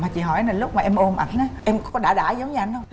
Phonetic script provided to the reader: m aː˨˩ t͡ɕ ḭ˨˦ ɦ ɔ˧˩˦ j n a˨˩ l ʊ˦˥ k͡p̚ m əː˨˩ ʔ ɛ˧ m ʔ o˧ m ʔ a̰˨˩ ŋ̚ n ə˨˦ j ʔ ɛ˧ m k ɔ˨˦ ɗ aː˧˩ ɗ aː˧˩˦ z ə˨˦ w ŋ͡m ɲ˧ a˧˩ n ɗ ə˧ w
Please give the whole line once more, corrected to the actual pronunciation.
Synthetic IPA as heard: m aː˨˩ t͡ɕ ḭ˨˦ ɦ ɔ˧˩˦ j n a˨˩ l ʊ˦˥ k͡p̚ m aː˨˩ ʔ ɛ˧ m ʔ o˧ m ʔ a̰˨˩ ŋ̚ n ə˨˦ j ʔ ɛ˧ m k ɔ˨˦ ɗ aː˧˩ ɗ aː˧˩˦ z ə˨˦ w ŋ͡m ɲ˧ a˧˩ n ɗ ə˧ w

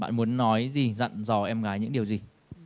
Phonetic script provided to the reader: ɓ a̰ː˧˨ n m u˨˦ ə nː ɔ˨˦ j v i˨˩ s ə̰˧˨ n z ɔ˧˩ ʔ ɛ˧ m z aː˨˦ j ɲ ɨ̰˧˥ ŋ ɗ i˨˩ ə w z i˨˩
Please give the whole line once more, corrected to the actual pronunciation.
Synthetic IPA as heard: ɓ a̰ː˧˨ n m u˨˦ ə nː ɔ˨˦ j z i˨˩ z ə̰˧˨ n z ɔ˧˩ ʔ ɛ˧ m ɣ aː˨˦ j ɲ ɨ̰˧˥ ŋ ɗ i˨˩ ə w z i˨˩

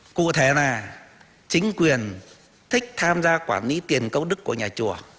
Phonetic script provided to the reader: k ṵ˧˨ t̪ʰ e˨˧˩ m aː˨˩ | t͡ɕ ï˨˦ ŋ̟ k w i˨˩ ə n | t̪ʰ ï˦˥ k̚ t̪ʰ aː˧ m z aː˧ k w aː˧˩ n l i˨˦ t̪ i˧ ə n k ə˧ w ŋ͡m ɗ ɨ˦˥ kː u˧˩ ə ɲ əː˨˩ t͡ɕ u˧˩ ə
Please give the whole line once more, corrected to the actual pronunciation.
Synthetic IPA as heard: k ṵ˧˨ t̪ʰ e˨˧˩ n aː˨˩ | t͡ɕ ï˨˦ ŋ̟ k w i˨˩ ə n | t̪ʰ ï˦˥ k̚ t̪ʰ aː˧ m z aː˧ k w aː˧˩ n l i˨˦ t̪ i˨˩ ə n k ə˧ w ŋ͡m ɗ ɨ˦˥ kː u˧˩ ə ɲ aː˨˩ t͡ɕ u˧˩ ə

